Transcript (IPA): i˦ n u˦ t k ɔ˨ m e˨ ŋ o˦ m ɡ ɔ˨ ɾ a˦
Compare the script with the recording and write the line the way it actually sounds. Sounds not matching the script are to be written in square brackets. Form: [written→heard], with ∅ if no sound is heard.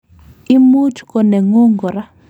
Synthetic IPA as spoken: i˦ [n→m] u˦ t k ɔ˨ [m→n] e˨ ŋ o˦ [m→ŋ] ɡ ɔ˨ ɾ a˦